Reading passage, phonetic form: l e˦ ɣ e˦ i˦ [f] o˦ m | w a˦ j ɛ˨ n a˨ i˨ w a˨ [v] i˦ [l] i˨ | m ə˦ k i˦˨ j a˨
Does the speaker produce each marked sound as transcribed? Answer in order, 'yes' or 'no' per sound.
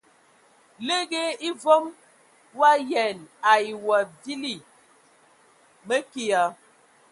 no, yes, yes

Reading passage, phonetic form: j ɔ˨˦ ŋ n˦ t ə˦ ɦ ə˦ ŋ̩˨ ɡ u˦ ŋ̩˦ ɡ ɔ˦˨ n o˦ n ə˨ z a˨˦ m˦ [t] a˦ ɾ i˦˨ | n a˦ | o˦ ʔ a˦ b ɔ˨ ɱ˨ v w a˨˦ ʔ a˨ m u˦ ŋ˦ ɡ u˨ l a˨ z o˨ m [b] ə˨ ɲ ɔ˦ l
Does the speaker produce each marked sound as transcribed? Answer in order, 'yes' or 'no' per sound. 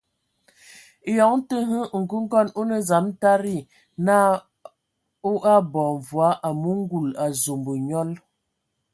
yes, yes

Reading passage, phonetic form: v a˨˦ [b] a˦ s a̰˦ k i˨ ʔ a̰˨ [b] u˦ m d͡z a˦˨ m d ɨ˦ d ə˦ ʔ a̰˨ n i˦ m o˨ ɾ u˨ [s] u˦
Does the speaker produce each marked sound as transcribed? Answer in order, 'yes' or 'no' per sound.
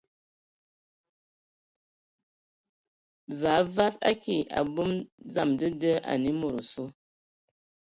no, yes, yes

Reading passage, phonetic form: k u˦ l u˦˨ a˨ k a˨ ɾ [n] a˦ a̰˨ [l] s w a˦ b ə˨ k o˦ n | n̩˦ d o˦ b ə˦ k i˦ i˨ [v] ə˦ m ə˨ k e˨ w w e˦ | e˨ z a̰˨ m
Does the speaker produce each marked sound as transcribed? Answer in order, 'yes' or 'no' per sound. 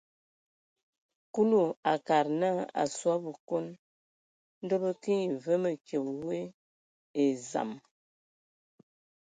yes, no, yes

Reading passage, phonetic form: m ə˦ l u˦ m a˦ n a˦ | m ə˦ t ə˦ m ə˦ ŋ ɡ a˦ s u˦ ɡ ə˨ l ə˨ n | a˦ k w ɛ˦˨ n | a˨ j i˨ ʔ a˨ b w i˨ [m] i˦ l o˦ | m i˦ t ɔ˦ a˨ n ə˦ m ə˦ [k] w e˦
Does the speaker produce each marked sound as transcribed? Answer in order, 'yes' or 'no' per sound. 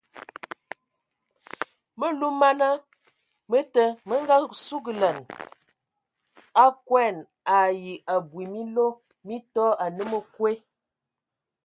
yes, yes

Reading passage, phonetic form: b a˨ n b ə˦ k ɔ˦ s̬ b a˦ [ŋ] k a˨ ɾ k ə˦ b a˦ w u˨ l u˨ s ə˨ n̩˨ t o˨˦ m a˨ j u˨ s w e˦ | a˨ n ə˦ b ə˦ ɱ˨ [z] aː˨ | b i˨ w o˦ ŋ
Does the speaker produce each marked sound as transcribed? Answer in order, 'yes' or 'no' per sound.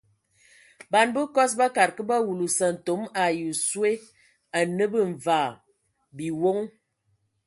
no, no

